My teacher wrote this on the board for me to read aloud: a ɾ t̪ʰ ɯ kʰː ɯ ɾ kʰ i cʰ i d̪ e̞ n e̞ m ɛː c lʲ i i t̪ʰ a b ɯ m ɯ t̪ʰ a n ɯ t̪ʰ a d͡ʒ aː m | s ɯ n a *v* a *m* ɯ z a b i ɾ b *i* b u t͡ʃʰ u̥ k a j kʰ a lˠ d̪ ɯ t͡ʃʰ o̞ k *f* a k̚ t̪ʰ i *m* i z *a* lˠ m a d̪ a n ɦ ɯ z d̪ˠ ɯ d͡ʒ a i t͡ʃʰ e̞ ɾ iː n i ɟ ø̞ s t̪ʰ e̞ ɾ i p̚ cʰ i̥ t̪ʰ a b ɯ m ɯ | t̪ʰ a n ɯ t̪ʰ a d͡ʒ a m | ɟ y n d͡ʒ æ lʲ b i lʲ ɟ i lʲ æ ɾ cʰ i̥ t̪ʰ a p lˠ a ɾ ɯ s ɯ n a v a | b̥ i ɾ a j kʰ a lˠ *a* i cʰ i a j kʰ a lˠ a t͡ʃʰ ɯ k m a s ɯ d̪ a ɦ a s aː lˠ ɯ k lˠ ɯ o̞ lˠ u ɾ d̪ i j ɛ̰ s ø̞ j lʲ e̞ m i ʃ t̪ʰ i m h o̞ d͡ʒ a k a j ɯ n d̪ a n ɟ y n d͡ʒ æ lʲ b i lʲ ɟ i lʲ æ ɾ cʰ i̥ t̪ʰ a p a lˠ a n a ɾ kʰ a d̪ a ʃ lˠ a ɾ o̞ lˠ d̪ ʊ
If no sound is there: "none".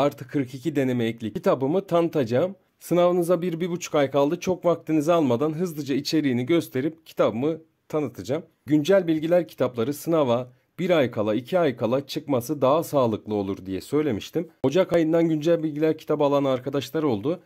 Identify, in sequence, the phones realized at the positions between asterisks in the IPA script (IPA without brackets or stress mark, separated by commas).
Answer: v, n, i, v, n, a, a